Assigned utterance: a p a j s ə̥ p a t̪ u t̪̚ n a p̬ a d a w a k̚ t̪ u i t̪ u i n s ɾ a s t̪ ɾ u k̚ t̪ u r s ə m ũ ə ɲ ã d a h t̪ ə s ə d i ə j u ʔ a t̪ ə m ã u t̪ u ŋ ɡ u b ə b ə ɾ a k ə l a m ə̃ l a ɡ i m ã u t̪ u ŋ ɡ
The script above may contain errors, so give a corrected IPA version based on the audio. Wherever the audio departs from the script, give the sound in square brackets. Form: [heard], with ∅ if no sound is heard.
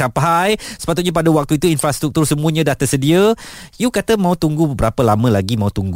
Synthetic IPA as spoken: a p a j s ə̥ p a t̪ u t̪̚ [ɲ] a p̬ a d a w a k̚ t̪ u i t̪ u i n [f] ɾ a s t̪ ɾ u k̚ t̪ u r s ə m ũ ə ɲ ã d a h t̪ ə s ə d i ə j u [k] a t̪ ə m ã u t̪ u ŋ ɡ u b ə b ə ɾ a [p] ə l a m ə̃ l a ɡ i m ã u t̪ u ŋ ɡ